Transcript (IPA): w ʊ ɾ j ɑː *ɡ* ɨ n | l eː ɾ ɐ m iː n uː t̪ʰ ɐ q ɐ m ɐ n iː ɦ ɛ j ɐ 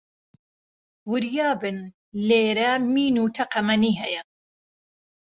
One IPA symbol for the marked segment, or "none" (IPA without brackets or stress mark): b